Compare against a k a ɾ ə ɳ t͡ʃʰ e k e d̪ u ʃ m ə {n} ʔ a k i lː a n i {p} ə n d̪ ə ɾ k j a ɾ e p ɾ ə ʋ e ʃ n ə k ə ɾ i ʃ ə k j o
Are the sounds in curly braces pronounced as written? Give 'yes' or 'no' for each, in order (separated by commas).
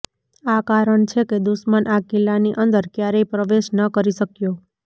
yes, no